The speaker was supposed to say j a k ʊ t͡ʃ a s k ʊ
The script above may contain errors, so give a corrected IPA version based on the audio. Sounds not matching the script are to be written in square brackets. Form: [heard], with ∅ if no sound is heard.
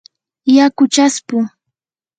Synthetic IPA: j a k ʊ t͡ʃ a s [p] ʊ